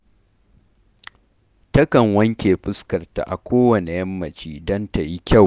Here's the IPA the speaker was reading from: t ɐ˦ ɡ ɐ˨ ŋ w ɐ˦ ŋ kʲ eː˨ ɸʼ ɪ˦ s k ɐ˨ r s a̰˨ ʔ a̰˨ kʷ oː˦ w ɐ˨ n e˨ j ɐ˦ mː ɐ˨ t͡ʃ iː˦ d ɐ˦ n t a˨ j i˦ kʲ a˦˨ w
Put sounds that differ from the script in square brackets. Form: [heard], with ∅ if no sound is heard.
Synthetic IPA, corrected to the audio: t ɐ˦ [k] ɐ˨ ŋ w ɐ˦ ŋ kʲ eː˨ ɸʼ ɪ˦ s k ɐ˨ r [t] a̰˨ ʔ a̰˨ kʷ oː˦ w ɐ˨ n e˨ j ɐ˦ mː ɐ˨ t͡ʃ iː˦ d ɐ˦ n t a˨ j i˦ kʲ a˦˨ w